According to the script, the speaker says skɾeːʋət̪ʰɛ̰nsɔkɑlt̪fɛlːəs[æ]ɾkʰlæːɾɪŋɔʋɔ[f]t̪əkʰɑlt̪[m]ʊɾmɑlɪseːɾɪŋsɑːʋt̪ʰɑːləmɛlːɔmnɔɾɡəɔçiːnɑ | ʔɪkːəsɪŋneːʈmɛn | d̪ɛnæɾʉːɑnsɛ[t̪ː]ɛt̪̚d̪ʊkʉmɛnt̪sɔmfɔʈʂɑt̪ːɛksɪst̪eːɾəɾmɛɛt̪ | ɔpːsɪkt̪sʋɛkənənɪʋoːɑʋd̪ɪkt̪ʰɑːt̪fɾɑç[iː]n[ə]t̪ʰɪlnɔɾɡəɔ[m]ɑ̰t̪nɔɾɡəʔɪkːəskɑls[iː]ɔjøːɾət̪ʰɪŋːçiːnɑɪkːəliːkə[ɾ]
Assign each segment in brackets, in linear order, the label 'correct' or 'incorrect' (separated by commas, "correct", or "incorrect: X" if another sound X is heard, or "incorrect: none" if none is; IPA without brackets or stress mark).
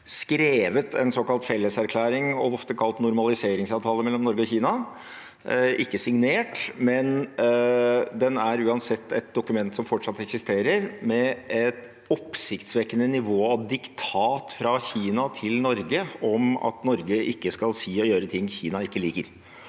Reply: correct, correct, incorrect: n, correct, correct, incorrect: ɑ, correct, correct, correct